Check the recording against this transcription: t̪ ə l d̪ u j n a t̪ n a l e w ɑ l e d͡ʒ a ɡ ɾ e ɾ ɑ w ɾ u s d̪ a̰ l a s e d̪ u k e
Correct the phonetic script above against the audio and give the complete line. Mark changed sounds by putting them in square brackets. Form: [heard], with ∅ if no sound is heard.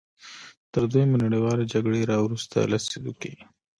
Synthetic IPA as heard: t̪ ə [ɾ] d̪ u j [m] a [∅] n a [ɽ] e w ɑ l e d͡ʒ a ɡ [ɽ] e ɾ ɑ w ɾ u s [t̪] a̰ l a s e d̪ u k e